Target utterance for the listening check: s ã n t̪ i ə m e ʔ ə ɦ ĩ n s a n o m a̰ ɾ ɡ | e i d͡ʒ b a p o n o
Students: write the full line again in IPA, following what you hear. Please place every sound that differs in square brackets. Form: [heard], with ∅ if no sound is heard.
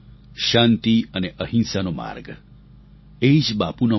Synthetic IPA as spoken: [ʃ] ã n t̪ i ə [n] e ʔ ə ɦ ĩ n s a n o m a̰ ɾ ɡ | e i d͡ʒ b a p [u] n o